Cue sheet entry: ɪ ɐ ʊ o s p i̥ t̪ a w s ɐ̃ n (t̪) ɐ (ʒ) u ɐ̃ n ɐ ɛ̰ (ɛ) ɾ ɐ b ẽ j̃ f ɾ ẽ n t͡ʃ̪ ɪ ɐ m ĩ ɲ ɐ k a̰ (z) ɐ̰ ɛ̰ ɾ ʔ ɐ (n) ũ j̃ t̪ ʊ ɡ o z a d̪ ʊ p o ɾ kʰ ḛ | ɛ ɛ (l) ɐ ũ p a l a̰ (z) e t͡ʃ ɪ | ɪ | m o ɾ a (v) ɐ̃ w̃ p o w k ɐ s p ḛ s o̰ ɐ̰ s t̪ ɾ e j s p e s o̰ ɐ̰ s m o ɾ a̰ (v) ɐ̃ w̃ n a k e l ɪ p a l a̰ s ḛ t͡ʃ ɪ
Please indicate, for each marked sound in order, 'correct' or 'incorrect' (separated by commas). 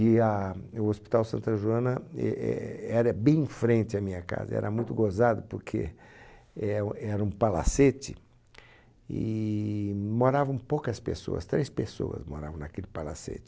correct, correct, correct, correct, incorrect, incorrect, incorrect, correct, correct